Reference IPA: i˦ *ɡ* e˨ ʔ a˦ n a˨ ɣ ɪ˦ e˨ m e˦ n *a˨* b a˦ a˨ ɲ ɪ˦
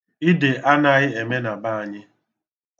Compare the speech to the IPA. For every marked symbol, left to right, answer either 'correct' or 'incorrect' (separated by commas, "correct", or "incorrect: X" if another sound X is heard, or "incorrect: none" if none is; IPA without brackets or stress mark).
incorrect: d, correct